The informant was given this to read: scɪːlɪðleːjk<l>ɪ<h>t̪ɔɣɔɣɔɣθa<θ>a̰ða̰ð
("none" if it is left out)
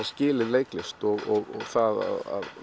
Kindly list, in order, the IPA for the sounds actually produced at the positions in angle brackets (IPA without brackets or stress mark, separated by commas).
l, s, ð